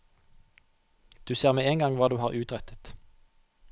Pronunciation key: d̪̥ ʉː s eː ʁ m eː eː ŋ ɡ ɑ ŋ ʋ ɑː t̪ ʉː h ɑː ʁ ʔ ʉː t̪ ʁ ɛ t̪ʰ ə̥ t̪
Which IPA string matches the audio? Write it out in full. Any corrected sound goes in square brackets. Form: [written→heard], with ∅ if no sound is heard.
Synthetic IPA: d̪̥ ʉː s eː ʁ m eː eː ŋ ɡ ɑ ŋ ʋ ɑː [t̪→d̪] ʉː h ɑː ʁ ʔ ʉː t̪ ʁ ɛ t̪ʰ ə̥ t̪